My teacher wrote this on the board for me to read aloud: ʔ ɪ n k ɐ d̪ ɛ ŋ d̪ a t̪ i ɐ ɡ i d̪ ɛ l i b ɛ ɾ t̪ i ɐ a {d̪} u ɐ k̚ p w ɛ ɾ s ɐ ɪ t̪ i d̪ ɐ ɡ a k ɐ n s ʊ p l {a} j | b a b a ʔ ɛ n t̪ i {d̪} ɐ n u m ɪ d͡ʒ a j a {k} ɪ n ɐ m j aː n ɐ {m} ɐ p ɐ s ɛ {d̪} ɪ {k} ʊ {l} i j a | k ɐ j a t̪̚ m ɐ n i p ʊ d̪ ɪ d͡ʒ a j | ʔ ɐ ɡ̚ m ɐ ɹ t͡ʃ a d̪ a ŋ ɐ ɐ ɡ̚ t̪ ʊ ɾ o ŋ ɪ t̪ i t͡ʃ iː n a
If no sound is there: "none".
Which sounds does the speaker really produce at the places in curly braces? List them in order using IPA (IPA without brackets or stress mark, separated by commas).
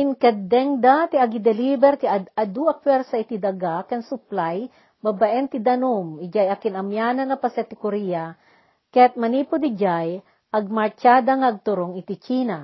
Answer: d̪, a, d̪, k, n, t̪, k, ɾ